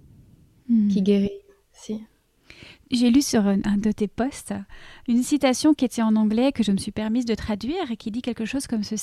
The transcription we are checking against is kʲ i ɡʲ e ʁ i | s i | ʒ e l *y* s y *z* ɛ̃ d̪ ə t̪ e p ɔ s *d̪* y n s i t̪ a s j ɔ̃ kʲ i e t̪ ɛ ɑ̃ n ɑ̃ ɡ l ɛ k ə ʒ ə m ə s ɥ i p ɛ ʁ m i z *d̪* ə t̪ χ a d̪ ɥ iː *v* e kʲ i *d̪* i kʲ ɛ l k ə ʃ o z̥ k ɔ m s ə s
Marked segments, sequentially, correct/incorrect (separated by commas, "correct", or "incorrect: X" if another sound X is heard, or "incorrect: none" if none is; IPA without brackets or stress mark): correct, incorrect: ʁ, incorrect: t̪, correct, incorrect: ʁ, correct